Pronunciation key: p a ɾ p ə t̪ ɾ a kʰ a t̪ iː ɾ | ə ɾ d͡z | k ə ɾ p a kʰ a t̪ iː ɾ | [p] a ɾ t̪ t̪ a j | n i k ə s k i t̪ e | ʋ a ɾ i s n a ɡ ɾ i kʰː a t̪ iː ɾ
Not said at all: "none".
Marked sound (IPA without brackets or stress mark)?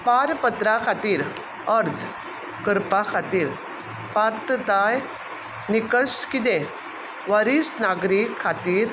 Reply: p